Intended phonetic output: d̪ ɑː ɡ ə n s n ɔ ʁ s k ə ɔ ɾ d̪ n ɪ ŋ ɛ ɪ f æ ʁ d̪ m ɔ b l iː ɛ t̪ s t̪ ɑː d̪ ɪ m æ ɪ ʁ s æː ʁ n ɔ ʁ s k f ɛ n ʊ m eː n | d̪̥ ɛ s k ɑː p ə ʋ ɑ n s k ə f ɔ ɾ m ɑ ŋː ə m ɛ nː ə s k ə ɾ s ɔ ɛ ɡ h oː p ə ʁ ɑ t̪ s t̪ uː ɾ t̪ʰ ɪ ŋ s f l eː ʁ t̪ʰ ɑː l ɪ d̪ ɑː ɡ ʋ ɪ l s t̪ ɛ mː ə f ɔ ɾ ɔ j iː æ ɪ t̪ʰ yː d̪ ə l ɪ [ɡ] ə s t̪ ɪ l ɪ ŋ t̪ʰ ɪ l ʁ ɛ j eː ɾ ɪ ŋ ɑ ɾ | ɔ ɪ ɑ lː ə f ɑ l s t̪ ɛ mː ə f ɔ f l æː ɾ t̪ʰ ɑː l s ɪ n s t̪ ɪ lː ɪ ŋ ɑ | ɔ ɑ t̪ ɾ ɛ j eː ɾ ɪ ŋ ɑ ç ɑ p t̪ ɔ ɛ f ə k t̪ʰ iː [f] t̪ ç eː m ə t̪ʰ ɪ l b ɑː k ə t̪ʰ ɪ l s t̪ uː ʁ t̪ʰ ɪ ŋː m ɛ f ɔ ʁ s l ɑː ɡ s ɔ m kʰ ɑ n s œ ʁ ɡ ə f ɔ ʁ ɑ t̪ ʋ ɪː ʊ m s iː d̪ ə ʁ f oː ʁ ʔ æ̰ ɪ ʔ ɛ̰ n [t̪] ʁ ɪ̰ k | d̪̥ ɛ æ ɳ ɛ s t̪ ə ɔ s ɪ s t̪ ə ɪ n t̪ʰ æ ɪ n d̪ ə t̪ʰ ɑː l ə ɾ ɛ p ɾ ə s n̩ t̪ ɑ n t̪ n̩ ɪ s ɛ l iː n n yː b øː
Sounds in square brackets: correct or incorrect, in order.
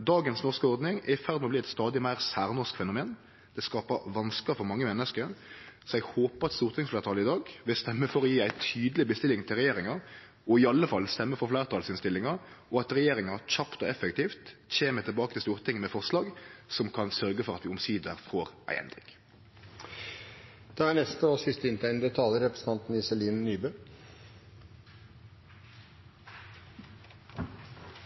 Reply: incorrect: b, correct, incorrect: d̪

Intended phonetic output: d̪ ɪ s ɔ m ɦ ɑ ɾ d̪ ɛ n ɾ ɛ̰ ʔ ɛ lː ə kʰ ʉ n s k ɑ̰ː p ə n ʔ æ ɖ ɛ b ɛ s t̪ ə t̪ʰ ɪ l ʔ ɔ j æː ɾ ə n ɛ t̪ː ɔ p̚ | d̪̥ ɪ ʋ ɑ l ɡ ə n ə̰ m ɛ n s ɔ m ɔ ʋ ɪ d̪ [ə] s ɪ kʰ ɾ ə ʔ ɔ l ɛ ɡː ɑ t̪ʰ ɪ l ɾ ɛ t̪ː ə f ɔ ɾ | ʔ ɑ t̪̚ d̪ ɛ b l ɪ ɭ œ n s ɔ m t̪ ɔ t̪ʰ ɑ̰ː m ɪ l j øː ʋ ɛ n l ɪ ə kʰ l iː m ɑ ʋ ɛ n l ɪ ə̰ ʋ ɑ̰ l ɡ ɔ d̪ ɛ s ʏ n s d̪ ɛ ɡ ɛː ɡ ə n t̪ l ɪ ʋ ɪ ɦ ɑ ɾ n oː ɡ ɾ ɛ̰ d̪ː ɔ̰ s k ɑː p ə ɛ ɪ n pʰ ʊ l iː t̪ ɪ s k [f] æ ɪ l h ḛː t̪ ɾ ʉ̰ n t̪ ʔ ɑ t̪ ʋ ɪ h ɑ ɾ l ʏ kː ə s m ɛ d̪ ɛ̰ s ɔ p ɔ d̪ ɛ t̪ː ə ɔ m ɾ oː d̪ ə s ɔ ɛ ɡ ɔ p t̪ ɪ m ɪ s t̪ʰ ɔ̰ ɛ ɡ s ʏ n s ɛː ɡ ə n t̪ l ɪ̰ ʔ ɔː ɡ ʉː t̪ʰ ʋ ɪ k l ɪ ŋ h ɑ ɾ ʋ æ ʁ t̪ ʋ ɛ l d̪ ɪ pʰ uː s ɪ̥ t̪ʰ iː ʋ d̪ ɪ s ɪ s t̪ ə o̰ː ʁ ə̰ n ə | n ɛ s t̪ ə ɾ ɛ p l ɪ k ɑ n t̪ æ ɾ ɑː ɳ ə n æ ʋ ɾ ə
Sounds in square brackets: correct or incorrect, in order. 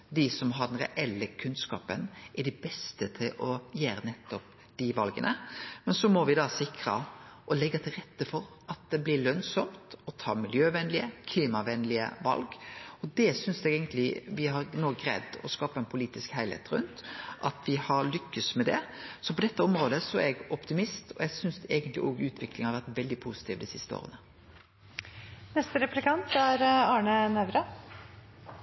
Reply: incorrect: ɑ, incorrect: h

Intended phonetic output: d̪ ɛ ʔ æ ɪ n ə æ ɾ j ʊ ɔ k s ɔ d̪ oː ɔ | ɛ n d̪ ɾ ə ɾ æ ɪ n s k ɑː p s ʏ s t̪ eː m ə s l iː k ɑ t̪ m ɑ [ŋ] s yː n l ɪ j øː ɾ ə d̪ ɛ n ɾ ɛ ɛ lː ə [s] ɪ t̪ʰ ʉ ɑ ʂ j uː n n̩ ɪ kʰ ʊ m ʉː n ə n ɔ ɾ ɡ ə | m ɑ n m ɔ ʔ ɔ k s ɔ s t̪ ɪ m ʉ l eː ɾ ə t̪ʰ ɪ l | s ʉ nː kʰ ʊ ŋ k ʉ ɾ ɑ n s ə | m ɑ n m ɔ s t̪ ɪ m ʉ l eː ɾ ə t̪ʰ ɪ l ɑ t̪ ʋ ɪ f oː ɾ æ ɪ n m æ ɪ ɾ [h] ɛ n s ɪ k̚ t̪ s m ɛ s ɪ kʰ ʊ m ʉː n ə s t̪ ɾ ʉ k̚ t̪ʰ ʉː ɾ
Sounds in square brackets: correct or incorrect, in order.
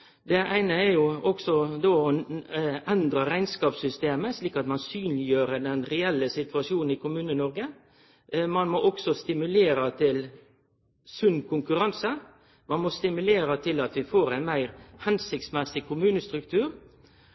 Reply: incorrect: n, correct, correct

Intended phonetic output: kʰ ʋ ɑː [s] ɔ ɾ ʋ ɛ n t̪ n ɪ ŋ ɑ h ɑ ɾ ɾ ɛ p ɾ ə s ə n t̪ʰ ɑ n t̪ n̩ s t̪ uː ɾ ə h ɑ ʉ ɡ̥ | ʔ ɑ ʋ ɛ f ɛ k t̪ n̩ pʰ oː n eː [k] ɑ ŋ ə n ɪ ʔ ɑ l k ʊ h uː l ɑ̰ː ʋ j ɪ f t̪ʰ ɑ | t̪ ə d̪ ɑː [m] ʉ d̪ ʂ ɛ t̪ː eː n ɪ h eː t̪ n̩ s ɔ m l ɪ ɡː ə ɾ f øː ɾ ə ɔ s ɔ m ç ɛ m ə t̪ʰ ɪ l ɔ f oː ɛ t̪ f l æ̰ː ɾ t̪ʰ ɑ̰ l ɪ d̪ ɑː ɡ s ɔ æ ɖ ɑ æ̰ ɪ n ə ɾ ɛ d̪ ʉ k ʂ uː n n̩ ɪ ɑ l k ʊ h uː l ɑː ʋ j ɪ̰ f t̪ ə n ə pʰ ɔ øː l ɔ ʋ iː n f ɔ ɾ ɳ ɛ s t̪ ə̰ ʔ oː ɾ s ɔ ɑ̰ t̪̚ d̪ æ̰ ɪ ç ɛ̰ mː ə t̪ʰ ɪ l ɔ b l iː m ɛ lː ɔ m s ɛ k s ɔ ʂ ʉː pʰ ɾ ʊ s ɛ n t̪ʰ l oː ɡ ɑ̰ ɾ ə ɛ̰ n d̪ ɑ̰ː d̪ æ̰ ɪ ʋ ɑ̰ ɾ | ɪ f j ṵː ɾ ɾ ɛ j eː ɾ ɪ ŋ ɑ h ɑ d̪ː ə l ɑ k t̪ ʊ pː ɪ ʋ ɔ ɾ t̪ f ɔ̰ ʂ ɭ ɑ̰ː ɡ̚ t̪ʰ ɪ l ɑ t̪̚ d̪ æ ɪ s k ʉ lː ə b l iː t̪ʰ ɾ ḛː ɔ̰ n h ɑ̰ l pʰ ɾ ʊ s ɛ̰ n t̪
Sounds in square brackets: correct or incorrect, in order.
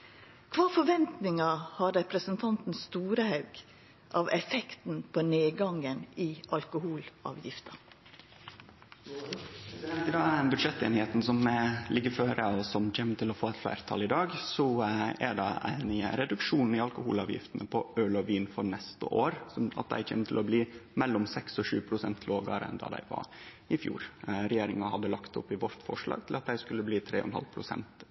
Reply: incorrect: f, incorrect: ɡ, incorrect: b

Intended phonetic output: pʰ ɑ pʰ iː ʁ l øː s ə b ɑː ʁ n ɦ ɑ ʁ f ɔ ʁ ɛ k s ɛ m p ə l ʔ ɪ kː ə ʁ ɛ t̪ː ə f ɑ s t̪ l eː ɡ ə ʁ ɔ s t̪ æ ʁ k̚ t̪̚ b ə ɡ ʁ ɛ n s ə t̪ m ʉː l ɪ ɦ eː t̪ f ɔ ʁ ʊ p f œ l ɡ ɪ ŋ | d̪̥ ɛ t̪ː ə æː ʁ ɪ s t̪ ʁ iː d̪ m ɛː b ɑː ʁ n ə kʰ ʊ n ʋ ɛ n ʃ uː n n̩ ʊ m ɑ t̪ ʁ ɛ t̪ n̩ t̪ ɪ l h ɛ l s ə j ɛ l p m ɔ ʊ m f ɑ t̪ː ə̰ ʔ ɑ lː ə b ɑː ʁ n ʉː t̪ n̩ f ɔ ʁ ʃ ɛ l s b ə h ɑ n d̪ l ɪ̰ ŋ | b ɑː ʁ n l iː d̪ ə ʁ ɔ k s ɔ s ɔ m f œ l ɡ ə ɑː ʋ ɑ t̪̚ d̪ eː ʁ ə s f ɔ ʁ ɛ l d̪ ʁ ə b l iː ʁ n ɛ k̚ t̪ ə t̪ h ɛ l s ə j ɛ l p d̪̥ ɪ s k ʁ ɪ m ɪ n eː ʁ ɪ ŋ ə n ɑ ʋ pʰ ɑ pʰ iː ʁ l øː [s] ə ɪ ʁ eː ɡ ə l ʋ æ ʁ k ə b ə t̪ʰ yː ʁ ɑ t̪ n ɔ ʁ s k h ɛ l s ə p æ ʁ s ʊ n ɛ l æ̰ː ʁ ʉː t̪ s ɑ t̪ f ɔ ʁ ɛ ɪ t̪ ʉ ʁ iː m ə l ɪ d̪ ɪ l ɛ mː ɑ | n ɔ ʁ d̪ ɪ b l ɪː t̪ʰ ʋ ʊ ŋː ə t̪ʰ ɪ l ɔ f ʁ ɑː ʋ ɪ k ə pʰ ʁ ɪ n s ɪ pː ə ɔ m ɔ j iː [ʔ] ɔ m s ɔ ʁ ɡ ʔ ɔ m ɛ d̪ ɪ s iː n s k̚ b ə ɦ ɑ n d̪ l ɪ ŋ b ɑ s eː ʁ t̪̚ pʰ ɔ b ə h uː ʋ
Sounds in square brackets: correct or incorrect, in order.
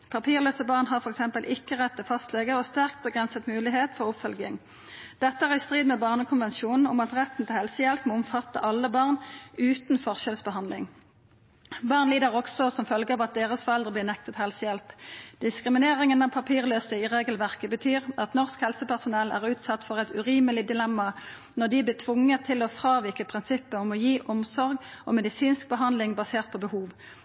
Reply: correct, correct

